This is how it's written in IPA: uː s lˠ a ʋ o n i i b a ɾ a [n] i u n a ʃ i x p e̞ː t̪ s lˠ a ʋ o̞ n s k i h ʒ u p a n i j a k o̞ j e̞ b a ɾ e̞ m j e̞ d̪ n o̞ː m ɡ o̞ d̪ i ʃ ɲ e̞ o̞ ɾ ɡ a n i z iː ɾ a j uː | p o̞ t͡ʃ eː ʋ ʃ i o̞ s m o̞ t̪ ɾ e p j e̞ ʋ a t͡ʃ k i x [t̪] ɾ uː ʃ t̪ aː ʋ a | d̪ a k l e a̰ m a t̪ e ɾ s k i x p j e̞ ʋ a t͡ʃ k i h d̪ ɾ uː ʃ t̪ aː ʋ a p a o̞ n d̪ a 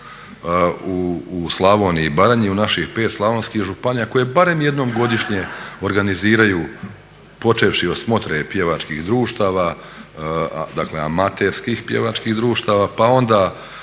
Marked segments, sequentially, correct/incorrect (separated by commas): incorrect, incorrect